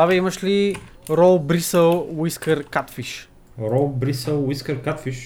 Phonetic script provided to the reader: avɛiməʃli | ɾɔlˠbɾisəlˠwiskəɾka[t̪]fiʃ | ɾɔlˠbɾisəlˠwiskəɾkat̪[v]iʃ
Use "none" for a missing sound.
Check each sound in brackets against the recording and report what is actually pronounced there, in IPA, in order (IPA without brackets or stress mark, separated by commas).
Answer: t̪, f